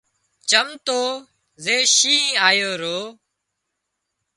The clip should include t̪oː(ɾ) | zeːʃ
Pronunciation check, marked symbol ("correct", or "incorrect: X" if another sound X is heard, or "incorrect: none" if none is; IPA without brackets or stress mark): incorrect: none